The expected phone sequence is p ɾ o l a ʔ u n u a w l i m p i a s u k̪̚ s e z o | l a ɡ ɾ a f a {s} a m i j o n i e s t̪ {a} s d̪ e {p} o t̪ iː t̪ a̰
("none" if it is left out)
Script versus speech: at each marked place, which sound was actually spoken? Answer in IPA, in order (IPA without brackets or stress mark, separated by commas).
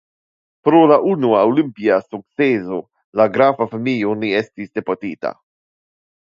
f, i, p